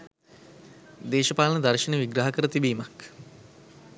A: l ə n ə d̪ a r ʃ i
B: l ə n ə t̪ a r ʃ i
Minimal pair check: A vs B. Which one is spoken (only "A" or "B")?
A